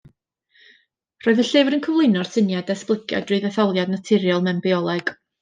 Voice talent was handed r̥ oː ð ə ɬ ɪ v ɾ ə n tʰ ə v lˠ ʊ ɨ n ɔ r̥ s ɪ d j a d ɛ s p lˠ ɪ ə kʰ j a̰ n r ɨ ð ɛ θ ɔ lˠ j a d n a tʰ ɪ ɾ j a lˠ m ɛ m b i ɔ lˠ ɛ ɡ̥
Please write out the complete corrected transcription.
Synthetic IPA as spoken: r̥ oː ð ə ɬ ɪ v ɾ ə n kʰ ə v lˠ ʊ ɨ n ɔ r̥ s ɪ n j a d ɛ s p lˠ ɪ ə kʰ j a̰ d r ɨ ð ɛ θ ɔ lˠ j a d n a tʰ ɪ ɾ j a lˠ m ɛ m b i ɔ lˠ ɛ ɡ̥